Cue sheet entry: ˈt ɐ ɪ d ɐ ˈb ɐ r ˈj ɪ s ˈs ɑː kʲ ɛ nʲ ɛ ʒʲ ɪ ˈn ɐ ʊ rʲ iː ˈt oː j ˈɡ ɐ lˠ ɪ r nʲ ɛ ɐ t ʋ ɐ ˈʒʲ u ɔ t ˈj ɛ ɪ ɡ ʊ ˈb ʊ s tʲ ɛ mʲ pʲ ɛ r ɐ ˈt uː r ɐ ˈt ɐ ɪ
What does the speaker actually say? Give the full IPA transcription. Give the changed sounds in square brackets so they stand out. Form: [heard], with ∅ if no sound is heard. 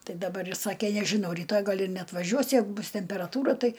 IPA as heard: ˈt ɐ ɪ d ɐ ˈb ɐ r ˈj ɪ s ˈs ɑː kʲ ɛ nʲ ɛ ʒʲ ɪ ˈn ɐ ʊ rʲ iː ˈt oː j ˈɡ ɐ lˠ ɪ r nʲ ɛ ɐ t ʋ ɐ ˈʒʲ u ɔ [s] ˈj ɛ ɪ ɡ ʊ ˈb ʊ s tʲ ɛ mʲ pʲ ɛ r ɐ ˈt uː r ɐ ˈt ɐ ɪ